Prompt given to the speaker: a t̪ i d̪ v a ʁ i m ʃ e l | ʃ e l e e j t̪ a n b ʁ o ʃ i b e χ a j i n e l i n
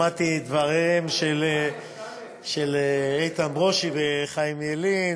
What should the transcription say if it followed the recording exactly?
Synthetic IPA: a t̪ i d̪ v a ʁ i m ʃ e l | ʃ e l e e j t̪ a n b ʁ o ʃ i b e χ a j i m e l i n